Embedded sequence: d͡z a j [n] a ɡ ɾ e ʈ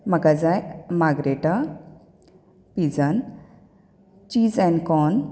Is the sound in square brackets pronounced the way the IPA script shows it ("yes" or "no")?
no